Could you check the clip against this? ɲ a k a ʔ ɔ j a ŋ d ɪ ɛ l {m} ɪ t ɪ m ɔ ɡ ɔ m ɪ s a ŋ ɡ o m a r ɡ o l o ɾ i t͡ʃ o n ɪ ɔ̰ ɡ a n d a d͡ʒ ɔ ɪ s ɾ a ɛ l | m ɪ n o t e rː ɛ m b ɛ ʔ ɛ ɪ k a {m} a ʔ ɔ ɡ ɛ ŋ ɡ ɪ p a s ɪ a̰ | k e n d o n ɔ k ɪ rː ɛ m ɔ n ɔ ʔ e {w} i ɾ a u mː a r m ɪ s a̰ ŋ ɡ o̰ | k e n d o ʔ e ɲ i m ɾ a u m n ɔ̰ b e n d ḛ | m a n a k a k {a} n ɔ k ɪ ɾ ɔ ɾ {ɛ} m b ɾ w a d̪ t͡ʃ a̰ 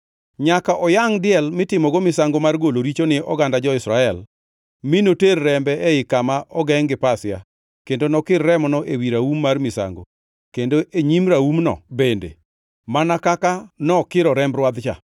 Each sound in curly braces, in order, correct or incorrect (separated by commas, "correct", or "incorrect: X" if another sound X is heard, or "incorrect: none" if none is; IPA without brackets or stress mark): correct, correct, correct, correct, correct